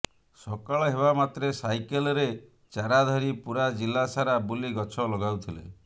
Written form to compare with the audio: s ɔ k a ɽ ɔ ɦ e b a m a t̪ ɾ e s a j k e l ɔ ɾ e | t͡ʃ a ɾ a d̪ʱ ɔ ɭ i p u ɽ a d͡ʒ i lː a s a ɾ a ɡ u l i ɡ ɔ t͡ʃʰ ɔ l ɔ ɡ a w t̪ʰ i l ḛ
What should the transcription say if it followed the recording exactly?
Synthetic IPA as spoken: s ɔ k a ɭ ɔ ɦ e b a m a t̪ ɾ e s a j k e l ɔ ɾ e | t͡ʃ a ɾ a d̪ʱ ɔ ɾ i p u ɾ a d͡ʒ i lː a s a ɾ a b u l i ɡ ɔ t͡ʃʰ ɔ l ɔ ɡ a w t̪ʰ i l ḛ